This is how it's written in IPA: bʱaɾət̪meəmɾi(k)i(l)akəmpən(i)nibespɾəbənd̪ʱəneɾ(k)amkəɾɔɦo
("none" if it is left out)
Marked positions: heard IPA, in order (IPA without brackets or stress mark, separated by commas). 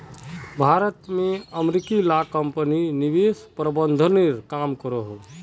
k, l, i, k